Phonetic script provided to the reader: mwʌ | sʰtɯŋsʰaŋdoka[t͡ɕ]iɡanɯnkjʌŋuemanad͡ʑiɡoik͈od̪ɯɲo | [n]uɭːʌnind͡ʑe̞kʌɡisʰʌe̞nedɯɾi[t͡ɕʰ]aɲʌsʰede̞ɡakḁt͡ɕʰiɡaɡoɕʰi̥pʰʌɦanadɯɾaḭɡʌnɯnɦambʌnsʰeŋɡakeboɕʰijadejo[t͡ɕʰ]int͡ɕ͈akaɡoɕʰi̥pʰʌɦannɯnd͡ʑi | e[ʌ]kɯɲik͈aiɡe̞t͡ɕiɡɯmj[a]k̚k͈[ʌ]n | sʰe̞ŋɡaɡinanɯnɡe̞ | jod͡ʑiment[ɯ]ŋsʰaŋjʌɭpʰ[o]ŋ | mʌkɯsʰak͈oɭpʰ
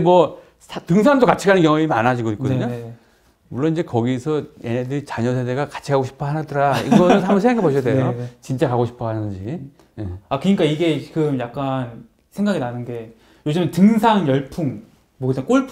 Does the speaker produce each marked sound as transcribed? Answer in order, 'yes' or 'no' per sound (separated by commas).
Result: no, no, no, no, no, yes, no, yes, no